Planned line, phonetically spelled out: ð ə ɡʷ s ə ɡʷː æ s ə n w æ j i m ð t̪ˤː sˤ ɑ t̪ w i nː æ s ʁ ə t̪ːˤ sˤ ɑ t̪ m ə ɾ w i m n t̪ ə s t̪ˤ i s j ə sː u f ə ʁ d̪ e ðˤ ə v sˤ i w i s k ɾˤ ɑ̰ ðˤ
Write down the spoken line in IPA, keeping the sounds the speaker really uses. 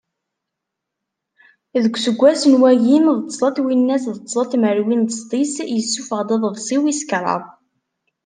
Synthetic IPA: ð ə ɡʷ s ə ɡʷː æ s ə n w æ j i m ð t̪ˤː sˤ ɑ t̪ w i nː æ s ð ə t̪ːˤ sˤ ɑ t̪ m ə ɾ w i n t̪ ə s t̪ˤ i s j ə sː u f ə ʁ d̪ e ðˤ ə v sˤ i w i s k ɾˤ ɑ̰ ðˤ